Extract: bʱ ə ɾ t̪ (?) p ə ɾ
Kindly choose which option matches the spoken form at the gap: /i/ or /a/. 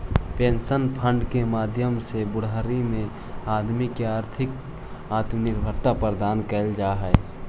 a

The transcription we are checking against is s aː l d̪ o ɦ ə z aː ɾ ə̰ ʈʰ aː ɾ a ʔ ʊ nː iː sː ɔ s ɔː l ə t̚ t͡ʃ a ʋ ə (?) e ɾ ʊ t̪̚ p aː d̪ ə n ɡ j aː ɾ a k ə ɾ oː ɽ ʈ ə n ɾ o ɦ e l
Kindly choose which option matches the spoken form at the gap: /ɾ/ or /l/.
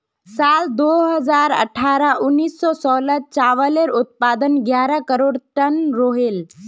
l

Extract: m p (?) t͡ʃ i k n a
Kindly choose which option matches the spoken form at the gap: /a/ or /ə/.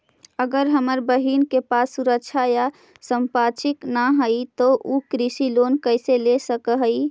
a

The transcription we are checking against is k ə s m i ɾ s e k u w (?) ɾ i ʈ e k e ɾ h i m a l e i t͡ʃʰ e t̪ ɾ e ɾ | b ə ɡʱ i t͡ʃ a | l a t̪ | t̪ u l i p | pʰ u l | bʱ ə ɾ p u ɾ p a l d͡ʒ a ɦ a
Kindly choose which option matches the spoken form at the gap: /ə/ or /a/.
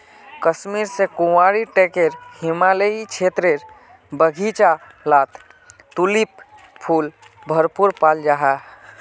a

